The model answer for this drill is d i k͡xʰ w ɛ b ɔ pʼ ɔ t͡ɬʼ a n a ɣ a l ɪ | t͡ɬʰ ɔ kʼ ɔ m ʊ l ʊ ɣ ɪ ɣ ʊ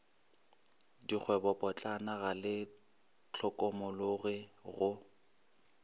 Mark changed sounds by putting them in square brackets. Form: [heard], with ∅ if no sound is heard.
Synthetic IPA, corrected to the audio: d i k͡xʰ w ɛ b ɔ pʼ ɔ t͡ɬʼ a n a ɣ a l ɪ | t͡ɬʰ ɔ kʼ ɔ m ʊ l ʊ ɣ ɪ ɣ ʊ